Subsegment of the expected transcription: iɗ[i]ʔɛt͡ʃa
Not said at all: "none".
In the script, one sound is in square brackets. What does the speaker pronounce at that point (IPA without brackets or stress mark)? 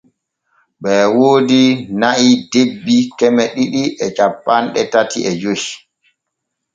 i